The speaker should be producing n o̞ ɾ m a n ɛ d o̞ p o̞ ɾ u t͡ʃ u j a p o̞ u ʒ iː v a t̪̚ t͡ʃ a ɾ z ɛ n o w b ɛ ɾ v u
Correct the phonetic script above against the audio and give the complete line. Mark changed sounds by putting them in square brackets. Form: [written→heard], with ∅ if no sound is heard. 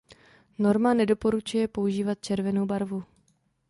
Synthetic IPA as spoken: n o̞ ɾ m a n ɛ d o̞ p o̞ ɾ u t͡ʃ u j [a→ɛ] p o̞ u ʒ iː v a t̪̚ t͡ʃ [a→ɛ] ɾ [z→v] ɛ n o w b [ɛ→a] ɾ v u